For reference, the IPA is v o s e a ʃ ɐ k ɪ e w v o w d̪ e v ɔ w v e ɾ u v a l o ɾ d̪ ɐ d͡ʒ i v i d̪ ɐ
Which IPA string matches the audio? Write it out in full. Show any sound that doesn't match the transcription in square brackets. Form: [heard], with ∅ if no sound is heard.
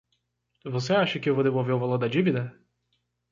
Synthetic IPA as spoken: v o s e a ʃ ɐ k ɪ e w v o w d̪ e v [o] w v e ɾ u v a l o ɾ d̪ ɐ d͡ʒ i v i d̪ ɐ